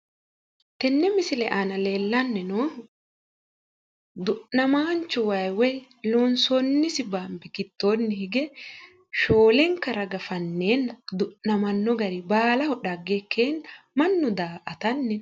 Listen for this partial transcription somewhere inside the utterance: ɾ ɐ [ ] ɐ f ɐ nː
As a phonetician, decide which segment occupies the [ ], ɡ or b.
ɡ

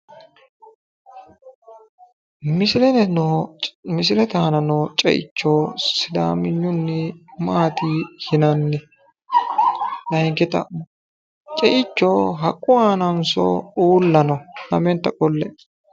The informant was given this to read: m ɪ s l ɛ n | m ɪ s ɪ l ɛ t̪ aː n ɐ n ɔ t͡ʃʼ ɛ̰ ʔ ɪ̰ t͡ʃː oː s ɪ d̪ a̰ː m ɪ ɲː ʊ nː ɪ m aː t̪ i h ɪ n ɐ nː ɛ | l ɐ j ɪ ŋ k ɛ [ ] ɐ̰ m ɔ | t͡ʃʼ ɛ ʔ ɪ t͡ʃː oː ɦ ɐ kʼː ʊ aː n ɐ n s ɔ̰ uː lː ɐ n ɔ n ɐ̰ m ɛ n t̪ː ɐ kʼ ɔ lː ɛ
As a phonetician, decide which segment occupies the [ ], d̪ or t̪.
t̪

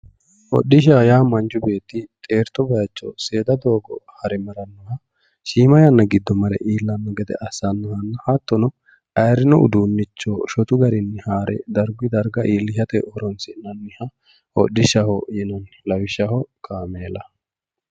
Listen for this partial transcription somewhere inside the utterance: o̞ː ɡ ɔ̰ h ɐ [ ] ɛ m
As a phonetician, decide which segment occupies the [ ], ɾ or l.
ɾ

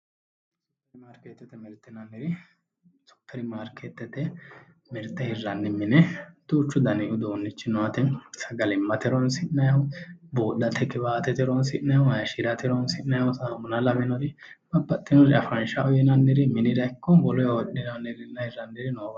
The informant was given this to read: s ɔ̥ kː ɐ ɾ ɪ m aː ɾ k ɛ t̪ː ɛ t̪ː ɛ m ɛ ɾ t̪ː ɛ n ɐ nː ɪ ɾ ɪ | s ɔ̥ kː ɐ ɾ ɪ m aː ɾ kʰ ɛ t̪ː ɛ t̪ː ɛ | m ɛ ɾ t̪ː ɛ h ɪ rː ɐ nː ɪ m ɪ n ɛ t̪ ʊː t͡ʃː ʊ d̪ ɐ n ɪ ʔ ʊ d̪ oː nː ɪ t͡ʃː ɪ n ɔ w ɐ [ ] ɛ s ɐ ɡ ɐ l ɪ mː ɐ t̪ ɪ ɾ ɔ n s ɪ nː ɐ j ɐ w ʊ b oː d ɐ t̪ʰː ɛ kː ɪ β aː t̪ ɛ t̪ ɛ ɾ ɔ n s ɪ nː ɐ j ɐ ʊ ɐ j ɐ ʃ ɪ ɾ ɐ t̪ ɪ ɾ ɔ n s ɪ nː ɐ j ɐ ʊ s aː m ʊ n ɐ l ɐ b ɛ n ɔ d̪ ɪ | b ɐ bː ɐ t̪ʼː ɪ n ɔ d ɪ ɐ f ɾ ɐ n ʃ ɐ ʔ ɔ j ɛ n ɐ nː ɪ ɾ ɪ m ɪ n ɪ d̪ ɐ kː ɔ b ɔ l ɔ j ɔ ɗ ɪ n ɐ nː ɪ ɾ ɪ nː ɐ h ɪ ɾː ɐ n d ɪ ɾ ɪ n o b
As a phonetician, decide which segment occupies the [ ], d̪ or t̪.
t̪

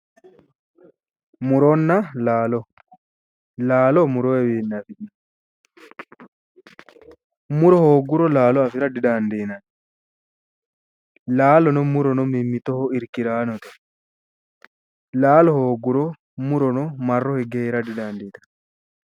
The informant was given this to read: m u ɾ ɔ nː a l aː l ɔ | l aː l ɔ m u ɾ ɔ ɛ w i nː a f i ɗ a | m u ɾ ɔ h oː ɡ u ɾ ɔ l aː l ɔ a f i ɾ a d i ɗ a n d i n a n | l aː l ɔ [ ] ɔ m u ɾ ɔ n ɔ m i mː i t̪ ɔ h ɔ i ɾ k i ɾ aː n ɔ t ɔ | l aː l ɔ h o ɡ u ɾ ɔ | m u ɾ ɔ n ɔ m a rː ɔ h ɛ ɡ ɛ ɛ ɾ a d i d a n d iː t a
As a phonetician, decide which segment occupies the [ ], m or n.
n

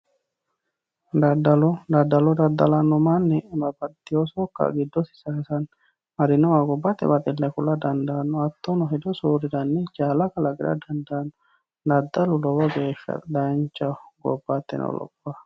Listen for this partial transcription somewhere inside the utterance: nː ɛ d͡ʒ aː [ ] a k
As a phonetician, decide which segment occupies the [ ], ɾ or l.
l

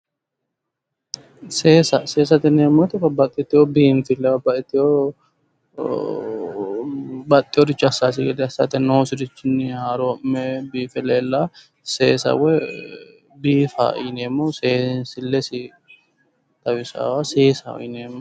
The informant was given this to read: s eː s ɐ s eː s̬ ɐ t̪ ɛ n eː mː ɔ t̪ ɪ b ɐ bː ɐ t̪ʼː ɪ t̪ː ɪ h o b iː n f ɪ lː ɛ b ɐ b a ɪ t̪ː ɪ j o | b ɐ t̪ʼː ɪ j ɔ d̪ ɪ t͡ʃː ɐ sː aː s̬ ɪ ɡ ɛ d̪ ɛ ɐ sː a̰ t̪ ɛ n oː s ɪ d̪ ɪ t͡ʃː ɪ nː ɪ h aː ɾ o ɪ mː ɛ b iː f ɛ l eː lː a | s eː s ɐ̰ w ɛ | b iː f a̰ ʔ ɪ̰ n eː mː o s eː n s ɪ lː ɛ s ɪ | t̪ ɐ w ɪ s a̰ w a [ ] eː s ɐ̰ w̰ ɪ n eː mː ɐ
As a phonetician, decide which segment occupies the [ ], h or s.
s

